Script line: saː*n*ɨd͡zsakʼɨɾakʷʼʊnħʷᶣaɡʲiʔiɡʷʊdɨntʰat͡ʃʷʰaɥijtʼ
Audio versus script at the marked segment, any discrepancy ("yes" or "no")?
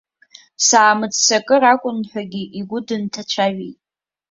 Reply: yes